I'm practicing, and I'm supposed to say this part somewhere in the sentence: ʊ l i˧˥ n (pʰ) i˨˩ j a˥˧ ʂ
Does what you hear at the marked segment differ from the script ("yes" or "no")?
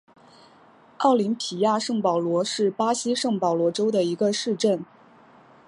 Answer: no